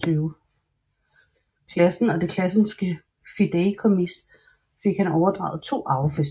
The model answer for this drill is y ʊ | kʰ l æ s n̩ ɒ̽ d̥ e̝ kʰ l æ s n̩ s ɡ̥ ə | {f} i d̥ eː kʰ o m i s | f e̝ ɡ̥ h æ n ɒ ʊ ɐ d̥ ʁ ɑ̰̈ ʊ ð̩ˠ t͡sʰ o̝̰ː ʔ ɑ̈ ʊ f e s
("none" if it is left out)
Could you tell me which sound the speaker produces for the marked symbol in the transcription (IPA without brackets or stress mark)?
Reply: f